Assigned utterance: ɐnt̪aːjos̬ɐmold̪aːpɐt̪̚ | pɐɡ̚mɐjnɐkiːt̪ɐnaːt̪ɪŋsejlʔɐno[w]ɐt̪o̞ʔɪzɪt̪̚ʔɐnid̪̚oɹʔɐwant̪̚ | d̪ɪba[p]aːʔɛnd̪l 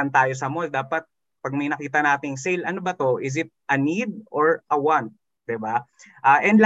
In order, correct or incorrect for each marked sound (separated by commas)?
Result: incorrect, incorrect